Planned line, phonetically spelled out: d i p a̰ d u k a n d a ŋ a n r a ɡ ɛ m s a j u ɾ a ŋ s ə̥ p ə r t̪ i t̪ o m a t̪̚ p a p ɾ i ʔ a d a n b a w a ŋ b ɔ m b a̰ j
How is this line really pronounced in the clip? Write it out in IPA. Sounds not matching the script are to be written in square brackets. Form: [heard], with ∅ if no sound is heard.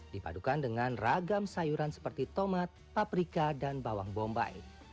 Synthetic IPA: d i p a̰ d u k a n d [ə] ŋ a n r a ɡ [a] m s a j u ɾ a [n] s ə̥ p ə r t̪ i t̪ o m a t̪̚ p a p ɾ i [k] a d a n b a w a ŋ b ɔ m b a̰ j